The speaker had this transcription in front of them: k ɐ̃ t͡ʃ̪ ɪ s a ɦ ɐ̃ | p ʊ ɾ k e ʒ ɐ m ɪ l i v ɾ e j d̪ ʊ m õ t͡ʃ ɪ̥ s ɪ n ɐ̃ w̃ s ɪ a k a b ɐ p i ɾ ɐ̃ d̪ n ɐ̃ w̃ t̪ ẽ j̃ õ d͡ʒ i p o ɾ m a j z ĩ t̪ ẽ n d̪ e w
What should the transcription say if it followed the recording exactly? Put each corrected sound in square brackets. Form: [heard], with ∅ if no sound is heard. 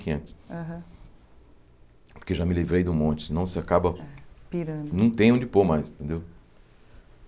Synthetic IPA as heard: k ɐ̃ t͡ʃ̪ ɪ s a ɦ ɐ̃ | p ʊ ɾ k e ʒ [a] m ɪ l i v ɾ e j d̪ ʊ m õ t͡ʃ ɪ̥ s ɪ n ɐ̃ w̃ s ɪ a k a b ɐ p i ɾ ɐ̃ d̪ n ɐ̃ w̃ t̪ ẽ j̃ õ d͡ʒ [ɪ] p o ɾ m a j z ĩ t̪ ẽ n d̪ e w